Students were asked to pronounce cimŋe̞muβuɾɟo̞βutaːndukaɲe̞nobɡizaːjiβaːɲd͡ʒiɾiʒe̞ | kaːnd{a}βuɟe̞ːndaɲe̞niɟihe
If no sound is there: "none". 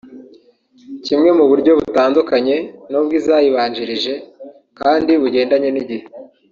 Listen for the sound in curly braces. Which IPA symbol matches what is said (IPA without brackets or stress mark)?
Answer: i